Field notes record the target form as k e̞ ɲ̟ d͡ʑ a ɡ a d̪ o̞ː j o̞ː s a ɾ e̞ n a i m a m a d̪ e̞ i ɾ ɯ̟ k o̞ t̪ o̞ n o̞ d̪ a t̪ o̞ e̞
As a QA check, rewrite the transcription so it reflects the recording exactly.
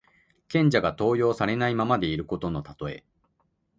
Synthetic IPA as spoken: k ẽ̞ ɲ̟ d͡ʑ a ɡ a t̪ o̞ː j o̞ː s a ɾ e̞ n a i m a m a d̪ e̞ i ɾ ɯ̟ k o̞ t̪ o̞ n o̞ t̪ a t̪ o̞ e̞